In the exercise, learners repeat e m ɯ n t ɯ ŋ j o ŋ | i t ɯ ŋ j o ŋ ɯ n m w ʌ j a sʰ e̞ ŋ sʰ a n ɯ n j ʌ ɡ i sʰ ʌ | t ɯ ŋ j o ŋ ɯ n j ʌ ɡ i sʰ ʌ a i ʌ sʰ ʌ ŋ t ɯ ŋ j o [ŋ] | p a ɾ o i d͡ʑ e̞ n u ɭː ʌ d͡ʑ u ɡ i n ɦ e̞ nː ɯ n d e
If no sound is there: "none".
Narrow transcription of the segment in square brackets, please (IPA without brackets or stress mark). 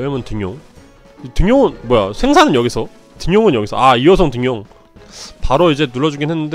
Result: ŋ